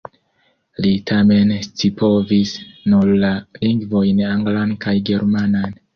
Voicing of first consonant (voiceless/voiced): voiced